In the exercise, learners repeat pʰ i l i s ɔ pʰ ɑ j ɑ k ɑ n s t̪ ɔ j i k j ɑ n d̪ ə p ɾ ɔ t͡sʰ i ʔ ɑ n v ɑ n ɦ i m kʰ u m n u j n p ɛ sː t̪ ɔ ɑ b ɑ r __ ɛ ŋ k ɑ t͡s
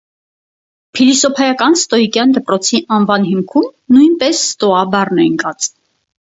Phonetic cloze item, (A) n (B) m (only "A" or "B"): A